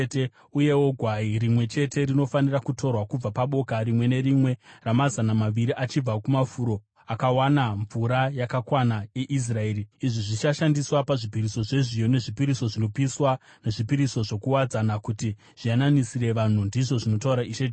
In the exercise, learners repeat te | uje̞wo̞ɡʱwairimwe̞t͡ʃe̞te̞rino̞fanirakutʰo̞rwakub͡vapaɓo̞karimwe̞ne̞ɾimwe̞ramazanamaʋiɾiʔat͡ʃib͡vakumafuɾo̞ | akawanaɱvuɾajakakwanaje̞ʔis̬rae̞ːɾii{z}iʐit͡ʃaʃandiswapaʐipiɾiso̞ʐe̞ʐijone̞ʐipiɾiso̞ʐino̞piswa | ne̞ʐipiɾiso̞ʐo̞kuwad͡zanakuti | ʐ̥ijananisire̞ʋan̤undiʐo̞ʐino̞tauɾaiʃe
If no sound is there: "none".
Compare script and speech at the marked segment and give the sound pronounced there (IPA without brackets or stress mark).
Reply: ʐ